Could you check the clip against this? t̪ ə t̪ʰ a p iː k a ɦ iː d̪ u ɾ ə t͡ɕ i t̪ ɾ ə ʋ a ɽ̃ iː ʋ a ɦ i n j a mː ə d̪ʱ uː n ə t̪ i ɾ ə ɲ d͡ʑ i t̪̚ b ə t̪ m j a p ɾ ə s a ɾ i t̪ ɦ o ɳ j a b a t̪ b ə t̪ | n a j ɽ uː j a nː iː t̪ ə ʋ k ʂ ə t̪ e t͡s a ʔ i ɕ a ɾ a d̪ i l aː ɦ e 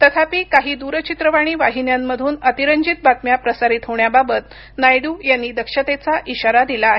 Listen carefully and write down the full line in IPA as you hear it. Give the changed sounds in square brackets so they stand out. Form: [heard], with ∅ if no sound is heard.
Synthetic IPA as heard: t̪ ə t̪ʰ a p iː k a ɦ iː d̪ u ɾ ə t͡ɕ i t̪ ɾ ə ʋ a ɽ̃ iː ʋ a ɦ i n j a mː ə d̪ʱ uː n ə t̪ i ɾ ə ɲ d͡ʑ i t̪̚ b [a] t̪ m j a p ɾ ə s a ɾ i t̪ ɦ o ɳ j a b a [∅] b ə t̪ | n a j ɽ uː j a nː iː [d̪] ə [∅] k ʂ ə t̪ e t͡s a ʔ i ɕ a ɾ a d̪ i l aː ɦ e